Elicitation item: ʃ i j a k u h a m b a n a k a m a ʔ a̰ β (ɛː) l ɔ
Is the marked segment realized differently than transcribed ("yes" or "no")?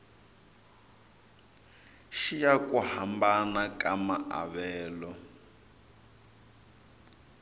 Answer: no